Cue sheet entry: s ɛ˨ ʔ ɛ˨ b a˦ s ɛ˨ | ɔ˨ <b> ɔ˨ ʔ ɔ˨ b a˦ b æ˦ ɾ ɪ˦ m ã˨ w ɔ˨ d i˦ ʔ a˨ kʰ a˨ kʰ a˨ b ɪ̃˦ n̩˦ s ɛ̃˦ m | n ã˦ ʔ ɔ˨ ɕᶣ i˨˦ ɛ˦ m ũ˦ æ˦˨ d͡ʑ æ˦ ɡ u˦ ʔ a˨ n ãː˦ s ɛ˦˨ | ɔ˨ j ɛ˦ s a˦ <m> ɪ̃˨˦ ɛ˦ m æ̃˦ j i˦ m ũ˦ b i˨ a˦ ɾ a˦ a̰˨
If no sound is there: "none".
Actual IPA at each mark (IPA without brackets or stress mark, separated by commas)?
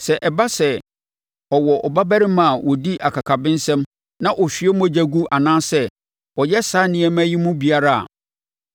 w, n